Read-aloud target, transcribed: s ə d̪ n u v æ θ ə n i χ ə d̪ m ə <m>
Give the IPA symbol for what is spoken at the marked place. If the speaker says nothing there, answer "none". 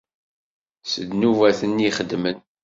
n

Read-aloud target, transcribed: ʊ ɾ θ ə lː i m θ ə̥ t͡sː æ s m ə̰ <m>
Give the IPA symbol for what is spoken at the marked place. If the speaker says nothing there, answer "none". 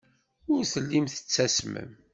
m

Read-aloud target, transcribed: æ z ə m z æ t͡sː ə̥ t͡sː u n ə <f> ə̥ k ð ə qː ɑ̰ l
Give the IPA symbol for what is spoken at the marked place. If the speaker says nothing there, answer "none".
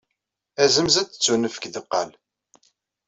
f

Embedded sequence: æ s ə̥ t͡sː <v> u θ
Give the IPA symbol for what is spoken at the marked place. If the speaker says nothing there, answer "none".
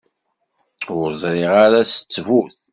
v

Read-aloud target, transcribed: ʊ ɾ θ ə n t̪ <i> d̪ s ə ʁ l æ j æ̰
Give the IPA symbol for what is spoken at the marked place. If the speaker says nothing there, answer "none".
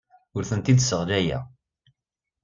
i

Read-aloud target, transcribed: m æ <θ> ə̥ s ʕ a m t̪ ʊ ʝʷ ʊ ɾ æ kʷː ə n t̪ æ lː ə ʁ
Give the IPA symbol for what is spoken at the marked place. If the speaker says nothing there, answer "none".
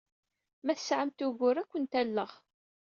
θ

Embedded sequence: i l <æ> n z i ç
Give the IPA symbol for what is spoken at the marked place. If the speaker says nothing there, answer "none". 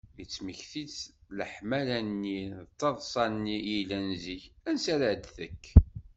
æ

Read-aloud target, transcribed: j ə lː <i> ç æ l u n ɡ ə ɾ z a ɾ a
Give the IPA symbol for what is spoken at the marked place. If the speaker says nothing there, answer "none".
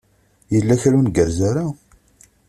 æ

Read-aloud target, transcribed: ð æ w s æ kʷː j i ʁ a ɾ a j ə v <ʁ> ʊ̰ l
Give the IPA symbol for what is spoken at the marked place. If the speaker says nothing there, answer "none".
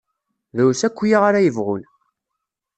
ʁ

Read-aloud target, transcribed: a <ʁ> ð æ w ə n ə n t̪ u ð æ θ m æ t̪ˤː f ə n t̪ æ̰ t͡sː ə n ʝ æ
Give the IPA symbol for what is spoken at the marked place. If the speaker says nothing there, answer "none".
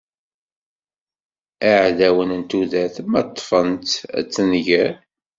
ʕ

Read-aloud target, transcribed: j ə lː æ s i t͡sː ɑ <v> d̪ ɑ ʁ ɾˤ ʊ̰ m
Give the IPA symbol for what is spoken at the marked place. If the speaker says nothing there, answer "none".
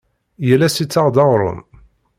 ʁ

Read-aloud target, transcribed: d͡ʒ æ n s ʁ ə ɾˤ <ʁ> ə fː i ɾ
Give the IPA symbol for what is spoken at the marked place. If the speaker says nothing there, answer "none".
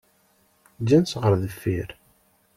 ð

